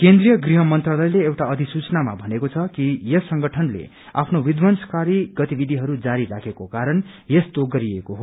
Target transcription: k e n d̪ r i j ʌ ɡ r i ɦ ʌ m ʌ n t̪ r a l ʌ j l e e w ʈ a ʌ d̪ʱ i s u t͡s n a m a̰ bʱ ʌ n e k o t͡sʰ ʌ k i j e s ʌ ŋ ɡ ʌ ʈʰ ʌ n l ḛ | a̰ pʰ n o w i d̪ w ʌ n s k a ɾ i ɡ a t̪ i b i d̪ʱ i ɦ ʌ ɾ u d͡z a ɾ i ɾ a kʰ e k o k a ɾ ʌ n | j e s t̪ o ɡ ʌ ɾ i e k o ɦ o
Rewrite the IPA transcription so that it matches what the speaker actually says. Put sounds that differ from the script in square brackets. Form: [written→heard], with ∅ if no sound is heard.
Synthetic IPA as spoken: k e n d̪ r i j ʌ ɡ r i ɦ ʌ m ʌ n t̪ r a l ʌ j l e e w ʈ a ʌ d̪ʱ i s u t͡s n a m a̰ bʱ ʌ n e k o t͡sʰ ʌ k i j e s ʌ ŋ ɡ ʌ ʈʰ ʌ n l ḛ | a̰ pʰ n o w i d̪ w ʌ n s k a ɾ i ɡ [a→ʌ] t̪ i b i d̪ʱ i ɦ ʌ ɾ u d͡z a ɾ i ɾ a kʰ e k o k a ɾ ʌ n | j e s t̪ o ɡ ʌ ɾ i e k o ɦ o